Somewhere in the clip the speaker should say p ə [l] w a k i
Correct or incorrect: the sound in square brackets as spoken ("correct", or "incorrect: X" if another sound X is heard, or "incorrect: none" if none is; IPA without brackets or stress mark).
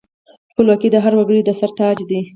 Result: correct